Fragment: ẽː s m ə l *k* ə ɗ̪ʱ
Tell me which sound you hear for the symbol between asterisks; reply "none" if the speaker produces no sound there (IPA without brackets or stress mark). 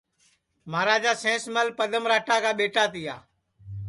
p